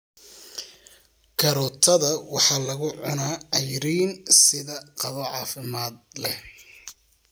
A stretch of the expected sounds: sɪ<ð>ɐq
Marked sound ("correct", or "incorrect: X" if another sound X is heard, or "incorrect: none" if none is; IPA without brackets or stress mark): correct